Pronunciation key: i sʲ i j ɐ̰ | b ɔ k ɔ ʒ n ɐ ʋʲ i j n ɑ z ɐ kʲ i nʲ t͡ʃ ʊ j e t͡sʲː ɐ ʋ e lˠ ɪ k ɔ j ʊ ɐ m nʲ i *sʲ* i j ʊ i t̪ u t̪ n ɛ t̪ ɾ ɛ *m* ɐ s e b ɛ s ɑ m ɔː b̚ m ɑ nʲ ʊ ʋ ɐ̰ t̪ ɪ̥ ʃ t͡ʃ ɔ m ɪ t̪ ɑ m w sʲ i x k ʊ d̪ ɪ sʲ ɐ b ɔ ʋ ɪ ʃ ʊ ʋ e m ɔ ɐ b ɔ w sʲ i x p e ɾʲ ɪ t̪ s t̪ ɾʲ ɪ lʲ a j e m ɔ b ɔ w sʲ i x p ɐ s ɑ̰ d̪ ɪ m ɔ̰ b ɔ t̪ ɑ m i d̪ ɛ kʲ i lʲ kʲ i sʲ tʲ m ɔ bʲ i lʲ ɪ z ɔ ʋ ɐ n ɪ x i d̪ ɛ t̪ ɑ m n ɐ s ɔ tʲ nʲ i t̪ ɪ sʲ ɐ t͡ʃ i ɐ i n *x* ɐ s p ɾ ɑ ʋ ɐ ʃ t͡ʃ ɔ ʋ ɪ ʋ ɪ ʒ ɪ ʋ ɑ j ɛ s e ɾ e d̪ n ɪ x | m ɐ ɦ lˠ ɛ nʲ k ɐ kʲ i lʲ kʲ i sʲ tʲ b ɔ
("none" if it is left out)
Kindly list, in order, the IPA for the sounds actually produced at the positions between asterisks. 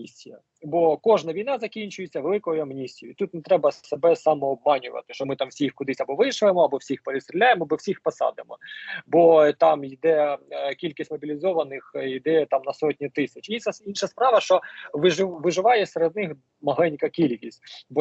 sʲ, b, ʃ

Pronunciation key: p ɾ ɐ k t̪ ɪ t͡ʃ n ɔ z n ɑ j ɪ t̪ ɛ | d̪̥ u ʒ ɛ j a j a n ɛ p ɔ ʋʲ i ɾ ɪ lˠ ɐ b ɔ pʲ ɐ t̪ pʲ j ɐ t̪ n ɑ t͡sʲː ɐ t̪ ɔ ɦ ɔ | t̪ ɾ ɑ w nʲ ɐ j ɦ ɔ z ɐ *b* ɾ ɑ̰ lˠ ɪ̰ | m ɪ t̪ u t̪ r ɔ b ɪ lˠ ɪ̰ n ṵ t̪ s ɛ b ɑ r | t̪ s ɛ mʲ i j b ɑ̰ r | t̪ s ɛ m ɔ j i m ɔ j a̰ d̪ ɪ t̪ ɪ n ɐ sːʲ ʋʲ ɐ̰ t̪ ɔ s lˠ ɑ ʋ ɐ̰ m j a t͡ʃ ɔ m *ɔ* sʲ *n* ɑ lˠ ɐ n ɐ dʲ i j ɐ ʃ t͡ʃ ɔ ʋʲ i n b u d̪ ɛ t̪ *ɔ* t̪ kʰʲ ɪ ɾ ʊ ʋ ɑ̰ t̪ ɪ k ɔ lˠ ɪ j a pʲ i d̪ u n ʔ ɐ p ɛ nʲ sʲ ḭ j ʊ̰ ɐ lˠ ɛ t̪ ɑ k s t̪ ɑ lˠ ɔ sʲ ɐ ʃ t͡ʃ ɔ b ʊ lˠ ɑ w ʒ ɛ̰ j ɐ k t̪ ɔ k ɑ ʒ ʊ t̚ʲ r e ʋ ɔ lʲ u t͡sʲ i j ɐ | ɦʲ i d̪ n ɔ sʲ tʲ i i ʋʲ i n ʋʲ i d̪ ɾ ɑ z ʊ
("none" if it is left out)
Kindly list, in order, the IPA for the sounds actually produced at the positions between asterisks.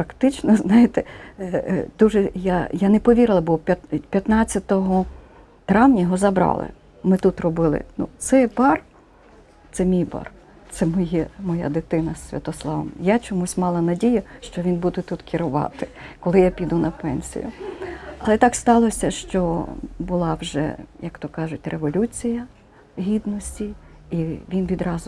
b, u, m, u

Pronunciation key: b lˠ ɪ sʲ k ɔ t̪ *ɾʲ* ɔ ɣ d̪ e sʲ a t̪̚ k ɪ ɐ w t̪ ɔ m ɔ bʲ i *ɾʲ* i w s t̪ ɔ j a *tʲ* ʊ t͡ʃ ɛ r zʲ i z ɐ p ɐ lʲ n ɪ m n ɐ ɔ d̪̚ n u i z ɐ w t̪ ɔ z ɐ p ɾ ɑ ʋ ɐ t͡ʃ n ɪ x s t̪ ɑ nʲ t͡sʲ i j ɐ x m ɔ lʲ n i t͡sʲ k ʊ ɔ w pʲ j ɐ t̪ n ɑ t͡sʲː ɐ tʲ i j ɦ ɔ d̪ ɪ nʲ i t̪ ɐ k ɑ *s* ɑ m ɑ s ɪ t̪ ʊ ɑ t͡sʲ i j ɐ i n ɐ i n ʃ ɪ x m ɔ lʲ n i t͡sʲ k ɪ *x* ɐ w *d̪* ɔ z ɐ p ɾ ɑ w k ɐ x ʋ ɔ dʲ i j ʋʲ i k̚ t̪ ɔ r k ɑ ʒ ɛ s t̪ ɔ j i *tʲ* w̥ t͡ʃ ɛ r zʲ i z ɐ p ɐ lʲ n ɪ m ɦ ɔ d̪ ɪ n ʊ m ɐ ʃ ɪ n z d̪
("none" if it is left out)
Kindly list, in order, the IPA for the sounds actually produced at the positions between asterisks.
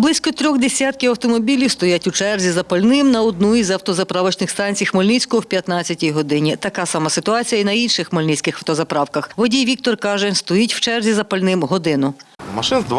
ɾʲ, lʲ, tʲ, s, x, t̪, tʲ

